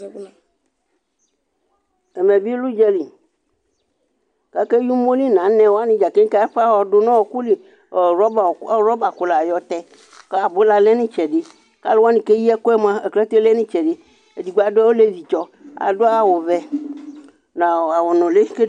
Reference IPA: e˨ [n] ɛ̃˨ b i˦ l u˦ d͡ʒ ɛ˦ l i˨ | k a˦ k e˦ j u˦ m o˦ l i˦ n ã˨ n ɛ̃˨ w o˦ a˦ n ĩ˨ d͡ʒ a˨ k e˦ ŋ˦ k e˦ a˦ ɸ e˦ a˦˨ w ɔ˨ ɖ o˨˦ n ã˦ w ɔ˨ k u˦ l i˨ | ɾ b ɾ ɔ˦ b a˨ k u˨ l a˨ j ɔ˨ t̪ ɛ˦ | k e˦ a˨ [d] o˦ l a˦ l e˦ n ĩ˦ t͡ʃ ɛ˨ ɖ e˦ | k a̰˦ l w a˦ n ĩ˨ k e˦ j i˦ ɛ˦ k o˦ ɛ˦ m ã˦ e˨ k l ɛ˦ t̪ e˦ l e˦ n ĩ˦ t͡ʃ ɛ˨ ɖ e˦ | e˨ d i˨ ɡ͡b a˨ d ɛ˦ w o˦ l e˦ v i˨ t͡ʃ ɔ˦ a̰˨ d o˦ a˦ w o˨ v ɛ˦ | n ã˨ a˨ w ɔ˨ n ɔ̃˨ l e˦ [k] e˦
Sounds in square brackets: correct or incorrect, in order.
incorrect: m, incorrect: b, correct

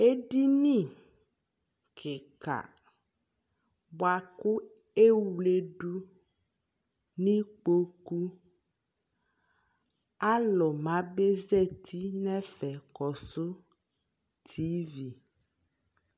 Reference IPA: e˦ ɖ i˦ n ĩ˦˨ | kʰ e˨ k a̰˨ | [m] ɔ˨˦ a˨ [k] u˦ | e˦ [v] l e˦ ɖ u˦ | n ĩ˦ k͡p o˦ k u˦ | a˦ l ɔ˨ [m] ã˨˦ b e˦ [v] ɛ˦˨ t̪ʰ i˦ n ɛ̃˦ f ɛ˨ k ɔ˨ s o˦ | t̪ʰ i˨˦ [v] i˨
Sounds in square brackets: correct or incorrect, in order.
incorrect: b, correct, incorrect: w, correct, incorrect: z, correct

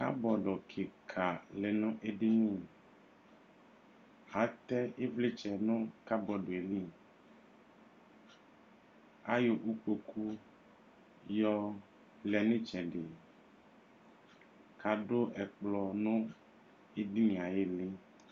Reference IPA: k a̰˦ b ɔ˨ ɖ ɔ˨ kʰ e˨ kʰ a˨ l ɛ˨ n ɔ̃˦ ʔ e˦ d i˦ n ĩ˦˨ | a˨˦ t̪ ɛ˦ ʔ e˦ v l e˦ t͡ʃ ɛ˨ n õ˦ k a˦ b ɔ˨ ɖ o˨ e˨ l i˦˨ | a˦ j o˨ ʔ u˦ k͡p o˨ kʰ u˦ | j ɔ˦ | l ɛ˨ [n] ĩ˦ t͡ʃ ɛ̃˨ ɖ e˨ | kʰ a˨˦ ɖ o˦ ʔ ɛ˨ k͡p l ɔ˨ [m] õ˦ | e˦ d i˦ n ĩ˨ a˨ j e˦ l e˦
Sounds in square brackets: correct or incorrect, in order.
correct, incorrect: n

